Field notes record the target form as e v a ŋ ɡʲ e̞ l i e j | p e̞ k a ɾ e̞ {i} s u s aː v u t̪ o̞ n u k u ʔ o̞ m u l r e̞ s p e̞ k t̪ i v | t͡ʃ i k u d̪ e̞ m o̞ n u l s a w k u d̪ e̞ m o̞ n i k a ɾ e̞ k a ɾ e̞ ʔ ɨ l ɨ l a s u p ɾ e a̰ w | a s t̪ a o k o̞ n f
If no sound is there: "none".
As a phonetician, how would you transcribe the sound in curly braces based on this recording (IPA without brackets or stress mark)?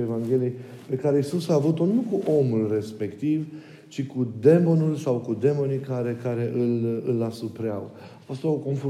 i